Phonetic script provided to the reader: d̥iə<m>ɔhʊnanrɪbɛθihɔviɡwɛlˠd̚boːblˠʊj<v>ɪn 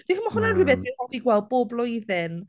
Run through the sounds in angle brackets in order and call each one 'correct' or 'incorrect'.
correct, incorrect: ð

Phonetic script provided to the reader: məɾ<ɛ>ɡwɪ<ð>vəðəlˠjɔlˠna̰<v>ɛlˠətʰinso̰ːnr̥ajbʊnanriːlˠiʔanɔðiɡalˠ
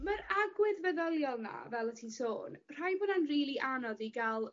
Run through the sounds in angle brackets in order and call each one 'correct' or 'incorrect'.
incorrect: a, correct, correct

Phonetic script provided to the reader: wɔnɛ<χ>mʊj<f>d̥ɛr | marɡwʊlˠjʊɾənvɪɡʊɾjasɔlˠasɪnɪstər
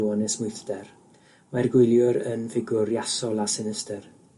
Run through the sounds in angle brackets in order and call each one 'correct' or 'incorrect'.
incorrect: s, incorrect: θ

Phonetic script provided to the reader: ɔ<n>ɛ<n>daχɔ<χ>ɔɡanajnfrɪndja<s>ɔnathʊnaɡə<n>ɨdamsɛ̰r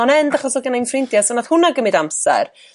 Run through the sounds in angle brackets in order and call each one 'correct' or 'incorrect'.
correct, correct, incorrect: s, correct, incorrect: m

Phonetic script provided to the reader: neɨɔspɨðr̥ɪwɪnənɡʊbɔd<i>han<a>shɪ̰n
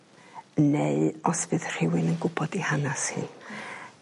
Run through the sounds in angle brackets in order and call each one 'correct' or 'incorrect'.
correct, correct

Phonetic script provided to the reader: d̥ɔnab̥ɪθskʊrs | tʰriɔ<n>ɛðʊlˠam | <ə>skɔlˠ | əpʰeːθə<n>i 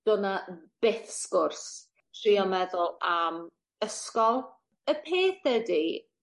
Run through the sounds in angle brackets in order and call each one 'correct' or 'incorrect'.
incorrect: m, correct, incorrect: d

